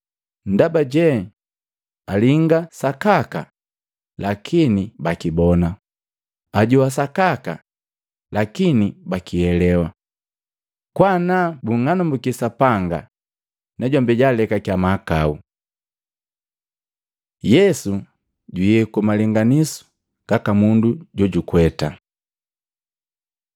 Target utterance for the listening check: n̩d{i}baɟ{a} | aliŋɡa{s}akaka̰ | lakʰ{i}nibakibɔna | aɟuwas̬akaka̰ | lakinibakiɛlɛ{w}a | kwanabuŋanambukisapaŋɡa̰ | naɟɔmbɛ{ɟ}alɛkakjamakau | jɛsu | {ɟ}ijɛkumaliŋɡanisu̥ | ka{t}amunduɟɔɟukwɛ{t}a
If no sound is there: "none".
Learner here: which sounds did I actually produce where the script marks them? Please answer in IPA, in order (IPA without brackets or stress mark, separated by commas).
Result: a, ɛ, s, i, w, ɟ, ɟ, k, t